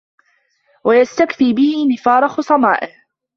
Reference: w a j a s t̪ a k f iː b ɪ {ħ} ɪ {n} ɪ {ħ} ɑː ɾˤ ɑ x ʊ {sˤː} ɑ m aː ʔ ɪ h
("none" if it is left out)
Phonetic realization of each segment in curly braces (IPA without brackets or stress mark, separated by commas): h, n, f, sˤ